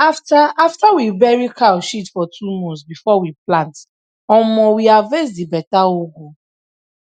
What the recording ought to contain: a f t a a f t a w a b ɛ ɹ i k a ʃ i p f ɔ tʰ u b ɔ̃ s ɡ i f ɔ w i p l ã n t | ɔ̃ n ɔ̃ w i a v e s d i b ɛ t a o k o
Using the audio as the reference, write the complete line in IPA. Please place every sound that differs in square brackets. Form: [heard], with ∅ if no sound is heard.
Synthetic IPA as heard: a f t a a f t a w [i] b ɛ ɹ i k a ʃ i [t] f ɔ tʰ u [m] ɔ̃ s [b] i f ɔ w i p l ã n t | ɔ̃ [m] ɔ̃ w i a v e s d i b ɛ t a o [ɡ] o